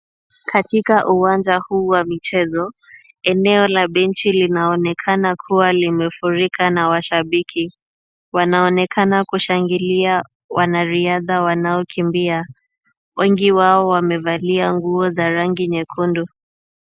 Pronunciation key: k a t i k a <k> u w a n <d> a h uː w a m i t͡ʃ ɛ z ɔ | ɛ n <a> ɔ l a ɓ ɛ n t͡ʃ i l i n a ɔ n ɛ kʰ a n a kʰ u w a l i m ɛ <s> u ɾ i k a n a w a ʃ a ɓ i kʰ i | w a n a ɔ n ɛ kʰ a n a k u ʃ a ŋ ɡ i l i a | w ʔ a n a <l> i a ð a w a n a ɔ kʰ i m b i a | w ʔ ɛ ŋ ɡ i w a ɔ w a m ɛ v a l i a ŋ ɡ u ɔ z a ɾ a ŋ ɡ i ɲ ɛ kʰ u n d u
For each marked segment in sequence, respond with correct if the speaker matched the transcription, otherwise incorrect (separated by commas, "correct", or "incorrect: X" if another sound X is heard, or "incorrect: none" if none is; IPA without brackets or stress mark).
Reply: incorrect: ʔ, incorrect: d͡ʒ, incorrect: ɛ, incorrect: f, incorrect: ɾ